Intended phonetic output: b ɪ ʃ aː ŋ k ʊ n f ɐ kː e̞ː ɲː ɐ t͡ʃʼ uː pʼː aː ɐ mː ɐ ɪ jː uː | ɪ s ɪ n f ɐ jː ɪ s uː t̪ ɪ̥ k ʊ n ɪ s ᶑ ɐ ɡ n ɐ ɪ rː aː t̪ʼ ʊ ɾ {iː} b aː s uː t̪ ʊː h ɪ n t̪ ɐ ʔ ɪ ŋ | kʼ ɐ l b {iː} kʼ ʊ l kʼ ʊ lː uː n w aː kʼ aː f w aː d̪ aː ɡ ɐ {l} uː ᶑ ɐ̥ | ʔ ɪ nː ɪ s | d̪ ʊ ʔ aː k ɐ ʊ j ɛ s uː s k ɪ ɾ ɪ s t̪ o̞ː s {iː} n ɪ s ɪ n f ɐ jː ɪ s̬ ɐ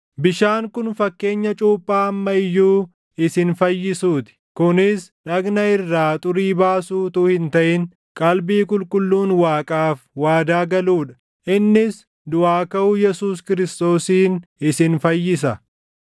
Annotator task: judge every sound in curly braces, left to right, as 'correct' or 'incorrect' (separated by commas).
correct, correct, correct, correct